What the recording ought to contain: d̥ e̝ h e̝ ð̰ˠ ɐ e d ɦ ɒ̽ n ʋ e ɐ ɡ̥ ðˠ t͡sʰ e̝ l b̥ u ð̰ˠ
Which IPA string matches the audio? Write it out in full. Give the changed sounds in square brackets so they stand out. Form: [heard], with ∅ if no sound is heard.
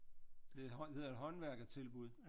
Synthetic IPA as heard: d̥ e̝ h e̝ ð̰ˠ ɐ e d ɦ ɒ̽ n ʋ [æ] ɐ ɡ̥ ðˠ t͡sʰ e̝ l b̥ u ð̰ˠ